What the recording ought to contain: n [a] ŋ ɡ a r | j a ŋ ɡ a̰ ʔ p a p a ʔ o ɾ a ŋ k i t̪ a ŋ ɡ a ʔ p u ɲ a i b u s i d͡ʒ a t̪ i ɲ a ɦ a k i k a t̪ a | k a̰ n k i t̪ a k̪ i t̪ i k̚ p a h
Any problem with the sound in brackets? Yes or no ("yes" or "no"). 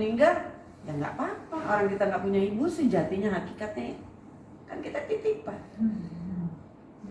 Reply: yes